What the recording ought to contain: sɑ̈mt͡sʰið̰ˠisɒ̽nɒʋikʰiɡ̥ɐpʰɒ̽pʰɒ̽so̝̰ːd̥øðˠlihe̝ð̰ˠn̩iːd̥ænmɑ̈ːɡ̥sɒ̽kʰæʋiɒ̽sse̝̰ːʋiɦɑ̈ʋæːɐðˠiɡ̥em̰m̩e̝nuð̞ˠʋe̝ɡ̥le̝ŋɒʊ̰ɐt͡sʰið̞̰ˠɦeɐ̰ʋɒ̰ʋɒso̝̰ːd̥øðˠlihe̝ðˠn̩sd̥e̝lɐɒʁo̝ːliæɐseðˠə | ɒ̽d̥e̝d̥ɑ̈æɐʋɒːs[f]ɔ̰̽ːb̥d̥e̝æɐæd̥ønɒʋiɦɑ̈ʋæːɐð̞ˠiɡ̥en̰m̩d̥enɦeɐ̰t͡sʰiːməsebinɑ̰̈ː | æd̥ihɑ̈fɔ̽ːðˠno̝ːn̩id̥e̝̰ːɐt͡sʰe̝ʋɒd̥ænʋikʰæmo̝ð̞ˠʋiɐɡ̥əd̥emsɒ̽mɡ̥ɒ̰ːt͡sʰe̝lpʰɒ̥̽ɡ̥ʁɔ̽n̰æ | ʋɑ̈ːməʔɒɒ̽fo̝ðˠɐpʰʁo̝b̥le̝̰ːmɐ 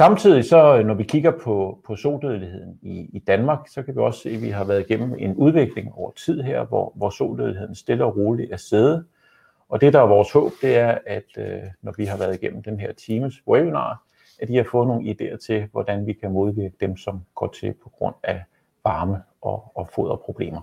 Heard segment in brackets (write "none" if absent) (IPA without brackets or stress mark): h